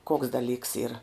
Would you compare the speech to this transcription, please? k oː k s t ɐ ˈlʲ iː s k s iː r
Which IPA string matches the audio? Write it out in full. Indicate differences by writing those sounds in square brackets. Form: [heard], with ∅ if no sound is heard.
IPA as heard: k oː k s [d] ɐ ˈlʲ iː [∅] k s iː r